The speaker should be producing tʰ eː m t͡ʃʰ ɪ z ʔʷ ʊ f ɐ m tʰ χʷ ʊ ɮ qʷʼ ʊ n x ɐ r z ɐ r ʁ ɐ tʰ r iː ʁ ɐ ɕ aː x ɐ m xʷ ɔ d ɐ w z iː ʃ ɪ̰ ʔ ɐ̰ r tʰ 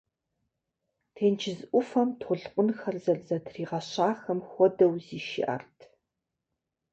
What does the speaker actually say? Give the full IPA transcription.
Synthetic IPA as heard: tʰ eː n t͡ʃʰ ɪ z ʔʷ ʊ f ɐ m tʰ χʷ ʊ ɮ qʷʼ ʊ n x ɐ r z ɐ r z ɐ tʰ r iː ʁ ɐ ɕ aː x ɐ m xʷ ɔ d ɐ w z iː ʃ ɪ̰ ʔ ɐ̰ r tʰ

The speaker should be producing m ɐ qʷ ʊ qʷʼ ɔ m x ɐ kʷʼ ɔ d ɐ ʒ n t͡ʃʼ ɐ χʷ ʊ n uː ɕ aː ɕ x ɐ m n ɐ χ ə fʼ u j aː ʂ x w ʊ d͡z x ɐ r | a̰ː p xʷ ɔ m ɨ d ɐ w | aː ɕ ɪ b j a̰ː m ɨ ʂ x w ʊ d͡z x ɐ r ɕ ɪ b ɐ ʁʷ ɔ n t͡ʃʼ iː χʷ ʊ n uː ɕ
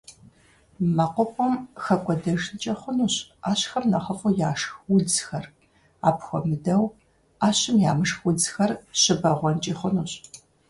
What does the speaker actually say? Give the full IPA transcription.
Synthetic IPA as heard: m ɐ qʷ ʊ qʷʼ ɔ m x ɐ kʷʼ ɔ d ɐ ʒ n t͡ʃʼ ɐ χʷ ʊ n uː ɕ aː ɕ x ɐ m n ɐ χ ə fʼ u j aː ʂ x w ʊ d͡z x ɐ r | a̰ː p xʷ ɔ m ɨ d ɐ w | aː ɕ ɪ m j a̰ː m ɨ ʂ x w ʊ d͡z x ɐ r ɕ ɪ b ɐ ʁʷ ɔ n t͡ʃʼ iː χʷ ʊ n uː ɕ

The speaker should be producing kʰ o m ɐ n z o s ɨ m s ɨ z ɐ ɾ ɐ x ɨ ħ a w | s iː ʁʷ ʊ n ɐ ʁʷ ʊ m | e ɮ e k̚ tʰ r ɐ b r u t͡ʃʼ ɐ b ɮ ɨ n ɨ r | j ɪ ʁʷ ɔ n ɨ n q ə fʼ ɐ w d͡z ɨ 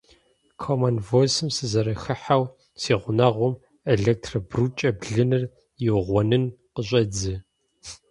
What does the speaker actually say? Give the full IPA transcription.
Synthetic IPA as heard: kʰ o m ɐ n v o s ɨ m s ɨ z ɐ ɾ ɐ x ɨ ħ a w | s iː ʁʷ ʊ n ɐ ʁʷ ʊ m | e ɮ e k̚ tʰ r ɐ b r u t͡ʃʼ ɐ b ɮ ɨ n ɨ r | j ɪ ʁʷ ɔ n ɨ n q ə ɕʼ ɐ d͡z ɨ

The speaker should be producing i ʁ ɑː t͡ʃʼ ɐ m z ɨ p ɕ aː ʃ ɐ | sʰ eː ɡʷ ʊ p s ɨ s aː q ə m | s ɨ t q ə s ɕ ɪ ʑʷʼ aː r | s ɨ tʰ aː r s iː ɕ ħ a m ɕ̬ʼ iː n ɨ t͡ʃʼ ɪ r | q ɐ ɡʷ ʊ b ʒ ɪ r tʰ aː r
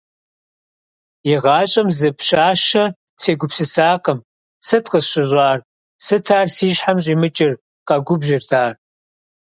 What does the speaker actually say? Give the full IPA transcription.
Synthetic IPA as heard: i ʁ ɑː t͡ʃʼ ɐ m z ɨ p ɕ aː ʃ ɐ | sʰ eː ɡʷ ʊ p s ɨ s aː q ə m | s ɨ t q ə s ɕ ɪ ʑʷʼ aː r | s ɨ tʰ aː r s iː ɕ ħ a m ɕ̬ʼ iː m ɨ t͡ʃʼ ɪ r | q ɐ ɡʷ ʊ b ʒ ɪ r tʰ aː r

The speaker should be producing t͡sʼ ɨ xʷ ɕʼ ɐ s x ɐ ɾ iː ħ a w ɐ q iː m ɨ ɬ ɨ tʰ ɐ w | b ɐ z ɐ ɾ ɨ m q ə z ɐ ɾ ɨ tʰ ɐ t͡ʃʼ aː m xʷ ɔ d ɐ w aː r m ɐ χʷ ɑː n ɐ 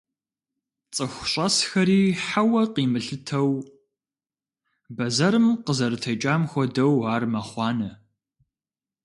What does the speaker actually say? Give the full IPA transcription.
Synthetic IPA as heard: t͡sʼ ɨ xʷ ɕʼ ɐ s x ɐ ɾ iː ħ a w ɐ q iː m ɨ ɬ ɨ tʰ ɐ w | b ɐ z ɐ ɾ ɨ m q ə z ɐ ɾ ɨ tʰ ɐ t͡ʃʼ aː m xʷ ɔ d ɐ w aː r m ɐ χʷ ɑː n ɐ

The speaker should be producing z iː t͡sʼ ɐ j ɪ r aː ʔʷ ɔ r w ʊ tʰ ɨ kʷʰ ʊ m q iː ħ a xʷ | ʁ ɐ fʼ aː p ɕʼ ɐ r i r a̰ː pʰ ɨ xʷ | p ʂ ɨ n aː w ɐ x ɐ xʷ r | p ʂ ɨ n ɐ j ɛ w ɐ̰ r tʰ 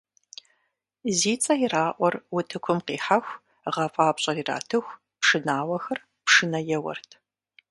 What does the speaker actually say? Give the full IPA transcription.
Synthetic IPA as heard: z iː t͡sʼ ɐ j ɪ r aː ʔʷ ɔ r w ʊ tʰ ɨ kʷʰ ʊ m q iː ħ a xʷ | ʁ ɐ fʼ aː p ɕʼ ɐ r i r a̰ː tʰ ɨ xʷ | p ʂ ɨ n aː w ɐ x ɐ r | p ʂ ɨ n ɐ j ɛ w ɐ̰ r tʰ

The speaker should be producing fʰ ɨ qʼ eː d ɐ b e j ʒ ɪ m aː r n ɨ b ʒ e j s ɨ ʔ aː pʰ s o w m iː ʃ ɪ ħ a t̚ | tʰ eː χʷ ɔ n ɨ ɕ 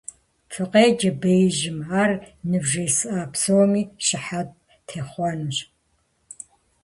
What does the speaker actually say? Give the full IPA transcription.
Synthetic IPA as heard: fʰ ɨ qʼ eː d͡ʒ ɐ b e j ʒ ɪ m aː r n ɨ b ʒ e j s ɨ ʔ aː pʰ s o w m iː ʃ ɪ ħ a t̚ | tʰ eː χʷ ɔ n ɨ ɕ

